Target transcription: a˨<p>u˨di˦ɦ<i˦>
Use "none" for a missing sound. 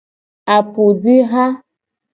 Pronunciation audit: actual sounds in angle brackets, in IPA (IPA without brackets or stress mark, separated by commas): p, a˦